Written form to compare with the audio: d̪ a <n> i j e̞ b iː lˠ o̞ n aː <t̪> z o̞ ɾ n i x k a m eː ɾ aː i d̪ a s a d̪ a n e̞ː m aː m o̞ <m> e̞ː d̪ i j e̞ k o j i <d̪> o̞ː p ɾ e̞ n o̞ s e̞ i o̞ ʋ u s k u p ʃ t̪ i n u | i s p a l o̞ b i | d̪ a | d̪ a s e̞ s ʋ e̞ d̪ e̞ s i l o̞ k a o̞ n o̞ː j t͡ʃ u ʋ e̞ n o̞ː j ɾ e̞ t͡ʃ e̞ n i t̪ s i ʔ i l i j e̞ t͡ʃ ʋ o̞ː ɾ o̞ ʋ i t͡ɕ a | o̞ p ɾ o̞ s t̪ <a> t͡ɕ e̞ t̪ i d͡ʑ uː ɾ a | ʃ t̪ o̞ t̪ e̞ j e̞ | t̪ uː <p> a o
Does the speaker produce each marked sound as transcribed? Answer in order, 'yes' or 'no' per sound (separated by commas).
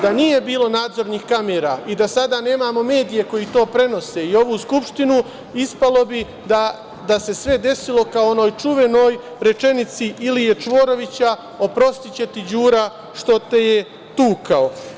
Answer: yes, no, yes, no, no, no